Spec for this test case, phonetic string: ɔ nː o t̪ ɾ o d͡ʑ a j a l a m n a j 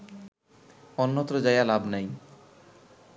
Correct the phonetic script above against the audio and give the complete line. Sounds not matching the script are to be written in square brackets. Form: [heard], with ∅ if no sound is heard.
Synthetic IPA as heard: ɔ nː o t̪ ɾ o d͡ʑ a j a l a [b] n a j